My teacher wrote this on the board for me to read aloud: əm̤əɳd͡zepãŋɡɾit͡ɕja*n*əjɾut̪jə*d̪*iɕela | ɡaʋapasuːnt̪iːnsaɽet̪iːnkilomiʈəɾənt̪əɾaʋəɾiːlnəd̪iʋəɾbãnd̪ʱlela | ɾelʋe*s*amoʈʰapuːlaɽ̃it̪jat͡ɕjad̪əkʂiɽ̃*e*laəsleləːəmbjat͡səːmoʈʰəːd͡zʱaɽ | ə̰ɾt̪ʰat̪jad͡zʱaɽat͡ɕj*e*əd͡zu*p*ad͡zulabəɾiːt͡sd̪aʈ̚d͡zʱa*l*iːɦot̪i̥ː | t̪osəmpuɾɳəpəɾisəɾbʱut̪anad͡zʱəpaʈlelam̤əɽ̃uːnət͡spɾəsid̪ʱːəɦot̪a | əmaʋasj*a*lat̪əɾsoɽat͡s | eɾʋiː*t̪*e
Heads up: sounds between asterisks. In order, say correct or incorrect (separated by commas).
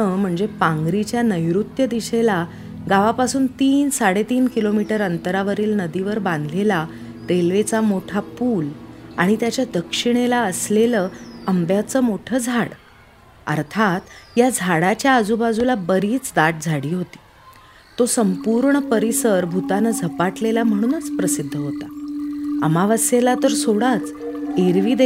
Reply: correct, correct, incorrect, correct, incorrect, incorrect, incorrect, incorrect, incorrect